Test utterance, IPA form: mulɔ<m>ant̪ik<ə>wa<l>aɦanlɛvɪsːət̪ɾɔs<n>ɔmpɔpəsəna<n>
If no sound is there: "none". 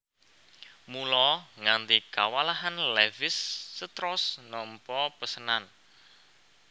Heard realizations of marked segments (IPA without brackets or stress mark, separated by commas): ŋ, a, l, n, n